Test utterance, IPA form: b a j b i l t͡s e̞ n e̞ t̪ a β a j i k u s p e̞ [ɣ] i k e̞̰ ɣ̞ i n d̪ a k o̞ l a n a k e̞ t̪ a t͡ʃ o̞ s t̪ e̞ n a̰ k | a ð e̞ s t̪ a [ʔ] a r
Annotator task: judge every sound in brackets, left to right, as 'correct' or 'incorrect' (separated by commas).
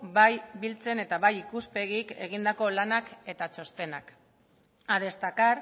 correct, incorrect